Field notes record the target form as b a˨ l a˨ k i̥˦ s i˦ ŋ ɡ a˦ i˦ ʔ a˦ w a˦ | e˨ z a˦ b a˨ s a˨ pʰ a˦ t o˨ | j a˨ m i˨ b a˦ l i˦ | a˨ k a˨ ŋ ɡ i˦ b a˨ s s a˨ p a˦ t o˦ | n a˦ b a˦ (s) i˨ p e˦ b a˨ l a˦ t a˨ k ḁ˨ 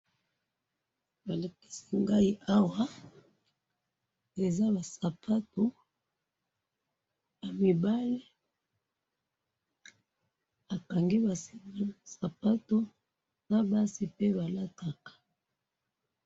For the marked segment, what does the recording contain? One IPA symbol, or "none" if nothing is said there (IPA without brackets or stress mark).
s